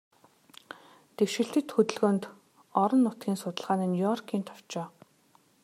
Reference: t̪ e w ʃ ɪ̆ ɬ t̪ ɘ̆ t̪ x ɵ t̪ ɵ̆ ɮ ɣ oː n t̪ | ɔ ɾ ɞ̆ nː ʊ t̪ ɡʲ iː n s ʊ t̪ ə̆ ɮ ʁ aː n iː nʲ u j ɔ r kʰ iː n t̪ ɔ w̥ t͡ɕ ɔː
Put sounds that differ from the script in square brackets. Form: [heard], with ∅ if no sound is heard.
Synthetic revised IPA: t̪ e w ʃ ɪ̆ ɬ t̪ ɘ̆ t̪ x ɵ t̪ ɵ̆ ɮ ɣ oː n t̪ | ɔ ɾ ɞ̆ nː ʊ t̪ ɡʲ iː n s ʊ t̪ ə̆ ɮ ʁ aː n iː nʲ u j ɔ r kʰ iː n [t̪ʰ] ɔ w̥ t͡ɕ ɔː